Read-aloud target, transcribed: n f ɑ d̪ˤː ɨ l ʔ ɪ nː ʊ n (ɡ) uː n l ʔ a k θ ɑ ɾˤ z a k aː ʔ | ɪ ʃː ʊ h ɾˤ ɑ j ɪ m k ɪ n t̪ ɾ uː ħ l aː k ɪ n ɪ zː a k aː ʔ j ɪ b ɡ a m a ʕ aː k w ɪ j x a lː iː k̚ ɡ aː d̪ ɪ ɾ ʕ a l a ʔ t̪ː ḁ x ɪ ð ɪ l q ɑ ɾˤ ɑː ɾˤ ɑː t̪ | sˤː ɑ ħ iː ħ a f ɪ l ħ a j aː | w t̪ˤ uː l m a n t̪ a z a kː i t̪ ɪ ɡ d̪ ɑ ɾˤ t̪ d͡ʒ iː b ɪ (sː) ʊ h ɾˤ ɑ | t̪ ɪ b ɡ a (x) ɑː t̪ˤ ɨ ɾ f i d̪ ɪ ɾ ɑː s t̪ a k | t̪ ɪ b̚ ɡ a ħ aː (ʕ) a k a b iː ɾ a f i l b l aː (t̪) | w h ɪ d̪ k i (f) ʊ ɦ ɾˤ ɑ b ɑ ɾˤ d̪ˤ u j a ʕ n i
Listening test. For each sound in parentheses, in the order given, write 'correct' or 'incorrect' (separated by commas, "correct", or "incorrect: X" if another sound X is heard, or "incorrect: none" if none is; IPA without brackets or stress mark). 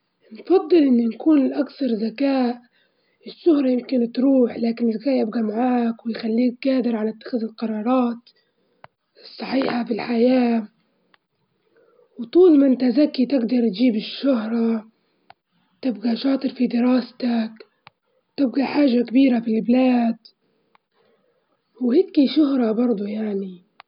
incorrect: k, incorrect: ʃː, incorrect: ʃ, incorrect: ʒ, incorrect: d̪, incorrect: ʃ